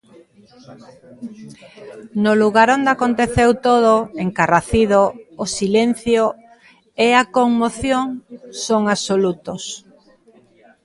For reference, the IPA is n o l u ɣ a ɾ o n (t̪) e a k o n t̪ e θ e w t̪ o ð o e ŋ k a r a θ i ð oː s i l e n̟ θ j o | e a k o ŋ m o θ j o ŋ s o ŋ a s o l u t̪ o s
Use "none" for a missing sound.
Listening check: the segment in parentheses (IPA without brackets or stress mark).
d̪